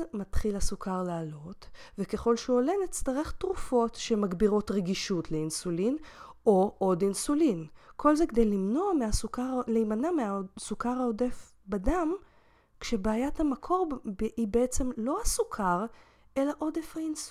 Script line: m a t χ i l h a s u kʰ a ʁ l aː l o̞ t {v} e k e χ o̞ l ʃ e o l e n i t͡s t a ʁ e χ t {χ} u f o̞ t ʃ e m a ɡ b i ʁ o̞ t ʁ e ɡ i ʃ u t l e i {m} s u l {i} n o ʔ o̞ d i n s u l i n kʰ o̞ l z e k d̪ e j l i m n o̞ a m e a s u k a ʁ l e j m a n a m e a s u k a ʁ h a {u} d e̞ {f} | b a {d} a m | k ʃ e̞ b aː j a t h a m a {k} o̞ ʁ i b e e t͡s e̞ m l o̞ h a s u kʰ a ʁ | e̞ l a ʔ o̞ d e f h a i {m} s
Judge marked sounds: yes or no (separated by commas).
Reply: yes, no, no, yes, no, yes, yes, no, no